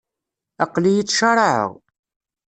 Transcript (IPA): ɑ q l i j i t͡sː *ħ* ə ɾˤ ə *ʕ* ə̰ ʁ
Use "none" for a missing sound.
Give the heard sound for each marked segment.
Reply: ʃ, ʕ

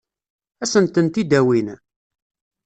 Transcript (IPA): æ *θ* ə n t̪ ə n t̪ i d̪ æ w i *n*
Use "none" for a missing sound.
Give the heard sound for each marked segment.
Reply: s, n

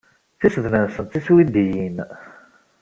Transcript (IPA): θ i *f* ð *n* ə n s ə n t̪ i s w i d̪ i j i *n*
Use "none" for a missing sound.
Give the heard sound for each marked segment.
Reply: s, n, n

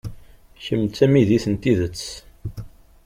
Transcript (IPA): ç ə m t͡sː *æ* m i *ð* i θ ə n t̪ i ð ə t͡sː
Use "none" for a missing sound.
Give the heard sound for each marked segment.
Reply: æ, ð

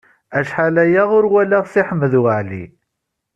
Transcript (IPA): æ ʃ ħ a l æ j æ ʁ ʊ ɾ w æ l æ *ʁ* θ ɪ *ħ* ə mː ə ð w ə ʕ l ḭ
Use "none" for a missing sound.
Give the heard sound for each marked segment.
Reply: ʁ, ħ

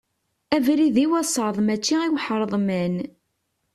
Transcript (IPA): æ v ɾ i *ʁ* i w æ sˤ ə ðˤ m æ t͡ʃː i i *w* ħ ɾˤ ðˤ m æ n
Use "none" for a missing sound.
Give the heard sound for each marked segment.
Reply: ð, w

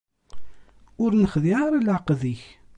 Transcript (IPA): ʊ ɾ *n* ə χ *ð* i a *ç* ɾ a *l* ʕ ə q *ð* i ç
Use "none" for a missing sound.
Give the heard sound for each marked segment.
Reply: n, ð, none, l, ð

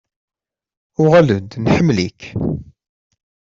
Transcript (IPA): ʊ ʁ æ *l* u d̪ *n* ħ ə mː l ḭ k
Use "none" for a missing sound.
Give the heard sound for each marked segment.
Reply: l, n

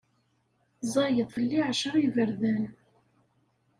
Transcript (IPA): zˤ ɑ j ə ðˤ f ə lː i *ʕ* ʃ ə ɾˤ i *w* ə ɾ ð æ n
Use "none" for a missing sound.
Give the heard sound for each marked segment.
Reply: ʕ, v

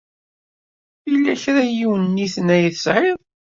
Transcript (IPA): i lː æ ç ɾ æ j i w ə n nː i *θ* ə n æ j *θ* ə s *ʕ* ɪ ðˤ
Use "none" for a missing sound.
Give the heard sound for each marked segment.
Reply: θ, θ, ʕ

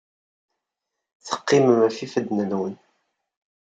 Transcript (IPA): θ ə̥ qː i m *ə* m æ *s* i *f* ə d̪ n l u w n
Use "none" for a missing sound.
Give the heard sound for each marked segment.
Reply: ə, f, f

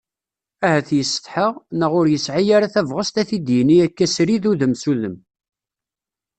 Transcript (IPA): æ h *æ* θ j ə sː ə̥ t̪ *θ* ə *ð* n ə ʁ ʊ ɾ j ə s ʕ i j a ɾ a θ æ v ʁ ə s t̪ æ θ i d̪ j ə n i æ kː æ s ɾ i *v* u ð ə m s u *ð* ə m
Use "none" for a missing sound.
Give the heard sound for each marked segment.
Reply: æ, ħ, ʁ, ð, ð

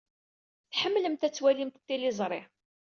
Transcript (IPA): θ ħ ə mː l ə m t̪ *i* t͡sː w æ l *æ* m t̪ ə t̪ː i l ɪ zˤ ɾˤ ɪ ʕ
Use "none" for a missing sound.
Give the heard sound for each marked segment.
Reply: æ, i

